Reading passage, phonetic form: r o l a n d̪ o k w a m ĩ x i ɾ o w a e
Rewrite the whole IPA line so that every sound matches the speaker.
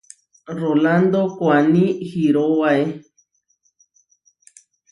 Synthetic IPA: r o l a n d̪ o k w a n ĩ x i ɾ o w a e